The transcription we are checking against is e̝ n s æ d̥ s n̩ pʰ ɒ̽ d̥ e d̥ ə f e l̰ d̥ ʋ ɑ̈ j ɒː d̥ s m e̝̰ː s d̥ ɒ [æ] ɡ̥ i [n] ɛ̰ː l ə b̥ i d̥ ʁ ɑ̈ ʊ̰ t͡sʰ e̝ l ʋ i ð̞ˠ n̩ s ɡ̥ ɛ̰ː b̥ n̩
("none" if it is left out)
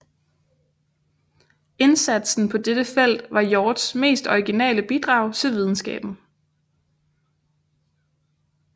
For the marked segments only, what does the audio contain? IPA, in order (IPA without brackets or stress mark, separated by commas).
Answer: i, n